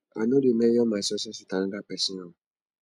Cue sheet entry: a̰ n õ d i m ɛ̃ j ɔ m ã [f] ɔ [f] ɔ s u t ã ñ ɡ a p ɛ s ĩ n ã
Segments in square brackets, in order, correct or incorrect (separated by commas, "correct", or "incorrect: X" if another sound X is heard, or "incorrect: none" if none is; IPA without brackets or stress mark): incorrect: s, incorrect: s